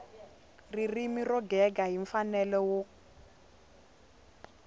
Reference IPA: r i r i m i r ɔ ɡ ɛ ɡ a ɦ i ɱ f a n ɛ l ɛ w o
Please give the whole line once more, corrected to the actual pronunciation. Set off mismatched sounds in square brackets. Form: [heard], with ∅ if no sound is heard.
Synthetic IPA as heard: r i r i m i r ɔ ɡ ɛ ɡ a ɦ i ɱ f a n ɛ l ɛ w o